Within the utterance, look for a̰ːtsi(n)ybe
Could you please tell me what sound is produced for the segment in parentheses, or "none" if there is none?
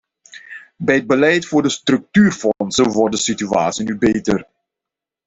n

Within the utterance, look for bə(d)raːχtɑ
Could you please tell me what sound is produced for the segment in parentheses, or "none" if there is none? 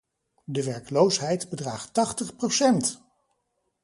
d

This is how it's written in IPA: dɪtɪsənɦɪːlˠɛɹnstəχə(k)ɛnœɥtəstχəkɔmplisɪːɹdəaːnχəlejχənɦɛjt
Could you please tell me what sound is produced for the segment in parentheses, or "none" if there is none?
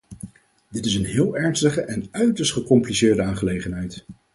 ʔ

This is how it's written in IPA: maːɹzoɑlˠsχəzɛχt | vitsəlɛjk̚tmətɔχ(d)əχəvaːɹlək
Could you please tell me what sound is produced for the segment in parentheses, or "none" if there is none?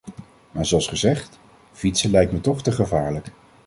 t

